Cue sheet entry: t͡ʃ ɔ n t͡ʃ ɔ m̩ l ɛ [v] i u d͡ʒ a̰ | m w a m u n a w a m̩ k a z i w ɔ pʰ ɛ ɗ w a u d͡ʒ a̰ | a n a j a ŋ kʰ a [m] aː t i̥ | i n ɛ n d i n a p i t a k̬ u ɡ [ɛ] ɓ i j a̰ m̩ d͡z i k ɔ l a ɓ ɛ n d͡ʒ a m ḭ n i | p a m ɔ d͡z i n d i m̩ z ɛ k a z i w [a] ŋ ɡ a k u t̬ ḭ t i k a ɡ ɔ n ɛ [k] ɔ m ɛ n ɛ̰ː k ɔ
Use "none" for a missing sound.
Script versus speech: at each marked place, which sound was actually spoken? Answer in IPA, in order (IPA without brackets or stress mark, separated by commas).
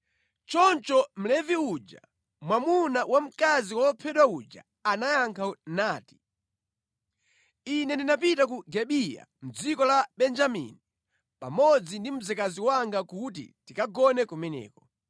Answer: v, n, ɛ, a, k